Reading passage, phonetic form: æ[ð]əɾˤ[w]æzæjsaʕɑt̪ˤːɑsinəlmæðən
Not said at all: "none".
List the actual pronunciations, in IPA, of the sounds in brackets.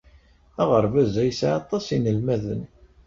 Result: ʁ, v

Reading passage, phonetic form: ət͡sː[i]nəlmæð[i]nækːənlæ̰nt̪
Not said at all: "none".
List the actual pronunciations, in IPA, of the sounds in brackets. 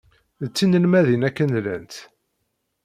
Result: i, i

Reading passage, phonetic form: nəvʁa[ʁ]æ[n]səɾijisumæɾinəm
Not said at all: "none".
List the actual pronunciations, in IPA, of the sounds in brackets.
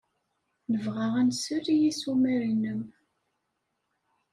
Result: ʁ, n

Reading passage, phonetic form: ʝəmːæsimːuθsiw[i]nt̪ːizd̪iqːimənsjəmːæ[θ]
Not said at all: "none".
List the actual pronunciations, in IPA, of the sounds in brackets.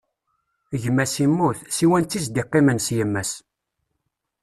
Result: æ, s

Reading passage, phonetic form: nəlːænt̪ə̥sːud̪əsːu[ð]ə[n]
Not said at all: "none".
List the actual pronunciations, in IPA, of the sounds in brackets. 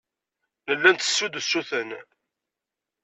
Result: θ, n

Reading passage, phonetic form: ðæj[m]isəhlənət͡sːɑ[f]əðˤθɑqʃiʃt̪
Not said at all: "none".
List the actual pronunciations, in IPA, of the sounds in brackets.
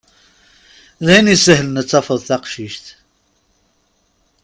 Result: n, f

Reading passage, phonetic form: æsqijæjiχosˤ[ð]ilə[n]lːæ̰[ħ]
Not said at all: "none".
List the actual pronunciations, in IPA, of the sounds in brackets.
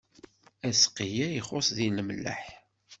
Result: ð, m, ħ

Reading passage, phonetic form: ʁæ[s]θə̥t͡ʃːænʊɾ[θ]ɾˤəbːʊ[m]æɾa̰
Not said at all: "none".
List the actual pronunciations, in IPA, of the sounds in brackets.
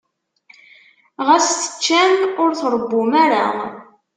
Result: s, θ, m

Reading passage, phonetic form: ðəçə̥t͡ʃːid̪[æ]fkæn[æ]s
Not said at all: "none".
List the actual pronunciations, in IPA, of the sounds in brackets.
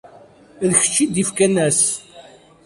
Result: i, æ

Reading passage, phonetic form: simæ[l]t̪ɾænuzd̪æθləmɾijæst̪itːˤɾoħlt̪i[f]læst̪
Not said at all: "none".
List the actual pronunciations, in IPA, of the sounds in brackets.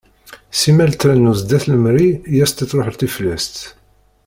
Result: l, f

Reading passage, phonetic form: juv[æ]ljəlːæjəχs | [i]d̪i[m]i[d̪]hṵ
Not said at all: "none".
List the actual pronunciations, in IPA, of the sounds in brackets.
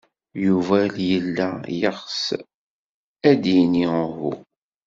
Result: æ, æ, n, none

